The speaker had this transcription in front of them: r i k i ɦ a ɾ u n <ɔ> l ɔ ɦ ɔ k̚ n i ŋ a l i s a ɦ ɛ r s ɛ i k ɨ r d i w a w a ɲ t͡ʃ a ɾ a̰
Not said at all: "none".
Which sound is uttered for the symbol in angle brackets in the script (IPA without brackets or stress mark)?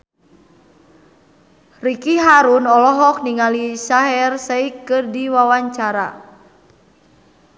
ɔ